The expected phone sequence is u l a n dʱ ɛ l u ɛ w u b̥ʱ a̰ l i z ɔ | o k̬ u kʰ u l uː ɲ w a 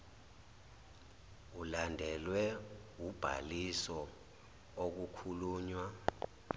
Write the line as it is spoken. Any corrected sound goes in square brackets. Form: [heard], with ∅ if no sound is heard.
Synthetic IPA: u l a n dʱ ɛ l [w] ɛ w u b̥ʱ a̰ l i [s] ɔ | o k̬ u kʰ u l uː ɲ w a

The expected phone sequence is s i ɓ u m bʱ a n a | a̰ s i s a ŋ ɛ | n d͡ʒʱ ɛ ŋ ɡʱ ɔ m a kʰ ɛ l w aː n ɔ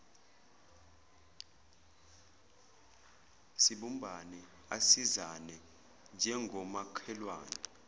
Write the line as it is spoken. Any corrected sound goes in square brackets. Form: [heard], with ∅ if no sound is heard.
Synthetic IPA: s i ɓ u m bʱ a n [ɛ] | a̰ s i [z] a [n] ɛ | n d͡ʒʱ ɛ ŋ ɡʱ ɔ m a kʰ ɛ l w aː n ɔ

